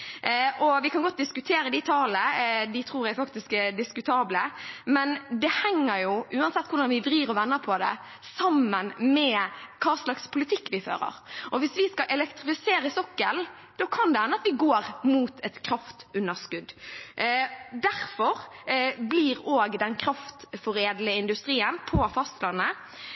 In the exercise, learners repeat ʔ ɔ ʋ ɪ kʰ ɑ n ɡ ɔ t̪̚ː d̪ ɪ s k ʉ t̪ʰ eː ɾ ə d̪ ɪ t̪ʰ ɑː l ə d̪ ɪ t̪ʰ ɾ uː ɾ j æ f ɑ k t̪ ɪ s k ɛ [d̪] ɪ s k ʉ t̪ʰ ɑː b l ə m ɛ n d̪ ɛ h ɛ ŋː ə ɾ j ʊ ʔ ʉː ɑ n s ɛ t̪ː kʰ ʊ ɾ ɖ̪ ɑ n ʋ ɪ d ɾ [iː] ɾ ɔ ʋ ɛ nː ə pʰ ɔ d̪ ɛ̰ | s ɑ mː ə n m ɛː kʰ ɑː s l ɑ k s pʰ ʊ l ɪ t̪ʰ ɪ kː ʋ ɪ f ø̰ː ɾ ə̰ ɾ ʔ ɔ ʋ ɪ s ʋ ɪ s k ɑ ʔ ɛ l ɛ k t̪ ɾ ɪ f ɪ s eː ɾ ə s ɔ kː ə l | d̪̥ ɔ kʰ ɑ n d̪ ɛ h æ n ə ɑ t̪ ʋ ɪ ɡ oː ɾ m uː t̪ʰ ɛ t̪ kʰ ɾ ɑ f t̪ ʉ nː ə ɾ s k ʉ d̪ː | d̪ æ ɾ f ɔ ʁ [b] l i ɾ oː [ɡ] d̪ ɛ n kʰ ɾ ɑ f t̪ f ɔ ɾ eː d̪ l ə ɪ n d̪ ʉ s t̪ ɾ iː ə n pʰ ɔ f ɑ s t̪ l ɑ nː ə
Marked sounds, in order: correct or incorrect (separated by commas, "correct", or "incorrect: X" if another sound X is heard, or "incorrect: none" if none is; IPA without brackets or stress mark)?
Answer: correct, correct, correct, correct